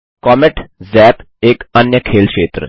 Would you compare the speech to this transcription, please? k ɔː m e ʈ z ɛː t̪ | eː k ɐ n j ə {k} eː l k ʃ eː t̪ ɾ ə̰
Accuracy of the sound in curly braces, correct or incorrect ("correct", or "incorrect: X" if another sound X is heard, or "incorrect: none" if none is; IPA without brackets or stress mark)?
incorrect: kʰ